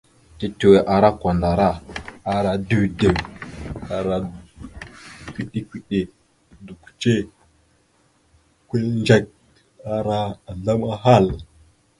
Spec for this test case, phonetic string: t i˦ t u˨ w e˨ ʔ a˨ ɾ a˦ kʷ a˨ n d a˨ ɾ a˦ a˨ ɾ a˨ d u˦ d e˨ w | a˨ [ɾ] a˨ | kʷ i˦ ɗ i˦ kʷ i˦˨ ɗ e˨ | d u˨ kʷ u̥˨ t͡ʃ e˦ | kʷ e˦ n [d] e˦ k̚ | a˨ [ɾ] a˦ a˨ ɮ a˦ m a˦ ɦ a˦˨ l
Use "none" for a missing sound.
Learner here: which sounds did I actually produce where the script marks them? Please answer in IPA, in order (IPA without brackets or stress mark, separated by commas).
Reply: ɾ, d͡ʒ, ɾ